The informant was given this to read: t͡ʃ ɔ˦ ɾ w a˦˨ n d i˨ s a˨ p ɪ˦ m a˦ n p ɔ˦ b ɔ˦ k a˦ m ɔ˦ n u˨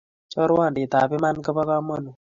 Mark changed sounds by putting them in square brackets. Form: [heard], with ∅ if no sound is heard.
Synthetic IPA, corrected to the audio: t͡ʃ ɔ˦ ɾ w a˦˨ n d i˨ [t] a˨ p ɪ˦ m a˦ n [k] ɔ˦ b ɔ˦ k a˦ m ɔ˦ n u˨